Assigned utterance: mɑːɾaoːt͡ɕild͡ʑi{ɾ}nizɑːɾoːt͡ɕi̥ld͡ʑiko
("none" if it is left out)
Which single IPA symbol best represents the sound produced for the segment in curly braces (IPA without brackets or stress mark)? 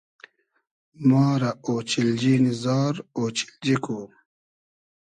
none